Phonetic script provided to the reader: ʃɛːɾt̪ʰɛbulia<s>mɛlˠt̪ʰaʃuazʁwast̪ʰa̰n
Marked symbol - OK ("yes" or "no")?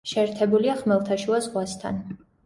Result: no